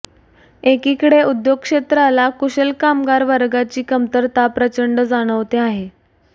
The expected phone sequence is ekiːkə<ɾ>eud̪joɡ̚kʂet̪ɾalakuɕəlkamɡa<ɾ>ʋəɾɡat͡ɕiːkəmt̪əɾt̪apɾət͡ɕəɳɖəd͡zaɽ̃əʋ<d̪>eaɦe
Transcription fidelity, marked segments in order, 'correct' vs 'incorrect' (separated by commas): incorrect, correct, incorrect